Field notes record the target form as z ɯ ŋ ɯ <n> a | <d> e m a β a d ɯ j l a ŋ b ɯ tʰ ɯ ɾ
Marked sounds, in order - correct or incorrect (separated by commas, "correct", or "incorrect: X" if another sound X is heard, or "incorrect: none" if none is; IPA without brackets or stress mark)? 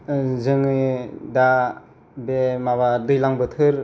incorrect: d, incorrect: b